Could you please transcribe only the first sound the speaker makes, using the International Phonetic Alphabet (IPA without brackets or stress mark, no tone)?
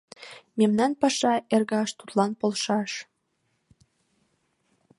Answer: m